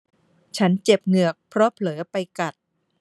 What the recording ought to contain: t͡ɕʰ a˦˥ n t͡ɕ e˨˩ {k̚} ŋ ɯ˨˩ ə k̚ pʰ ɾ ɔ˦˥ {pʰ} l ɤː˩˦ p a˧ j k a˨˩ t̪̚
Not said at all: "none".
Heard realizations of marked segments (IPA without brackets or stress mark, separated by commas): p̚, pʰ